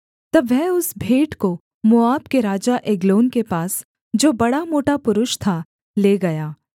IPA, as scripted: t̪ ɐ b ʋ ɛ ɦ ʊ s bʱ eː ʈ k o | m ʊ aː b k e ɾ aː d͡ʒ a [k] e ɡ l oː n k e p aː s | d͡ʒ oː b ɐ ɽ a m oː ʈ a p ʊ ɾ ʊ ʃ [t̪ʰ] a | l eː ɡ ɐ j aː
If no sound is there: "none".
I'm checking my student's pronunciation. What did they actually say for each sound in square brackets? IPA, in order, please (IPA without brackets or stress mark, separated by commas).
ʔ, t̪ʰ